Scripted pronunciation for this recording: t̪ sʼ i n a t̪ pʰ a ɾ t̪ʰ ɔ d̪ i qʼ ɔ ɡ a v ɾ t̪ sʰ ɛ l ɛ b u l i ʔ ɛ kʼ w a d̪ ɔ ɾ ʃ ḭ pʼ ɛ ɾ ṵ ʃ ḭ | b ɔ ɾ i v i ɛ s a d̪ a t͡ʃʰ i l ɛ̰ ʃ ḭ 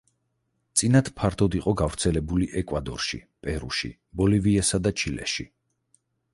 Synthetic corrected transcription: t̪ sʼ i n a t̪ pʰ a ɾ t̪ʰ ɔ d̪ i qʼ ɔ ɡ a v ɾ t̪ sʰ ɛ l ɛ b u l i ʔ ɛ kʼ w a d̪ ɔ ɾ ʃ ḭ pʼ ɛ ɾ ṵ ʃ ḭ | b ɔ l i v i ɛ s a d̪ a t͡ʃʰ i l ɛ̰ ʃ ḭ